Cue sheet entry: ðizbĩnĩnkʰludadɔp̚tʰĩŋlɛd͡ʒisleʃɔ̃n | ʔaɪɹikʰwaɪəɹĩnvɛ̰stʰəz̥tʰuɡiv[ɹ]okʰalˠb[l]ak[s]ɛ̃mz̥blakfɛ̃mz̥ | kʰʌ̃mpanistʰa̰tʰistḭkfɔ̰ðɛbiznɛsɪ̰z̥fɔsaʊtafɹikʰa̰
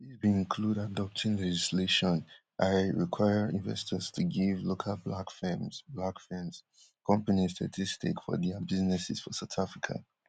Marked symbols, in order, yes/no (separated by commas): no, yes, no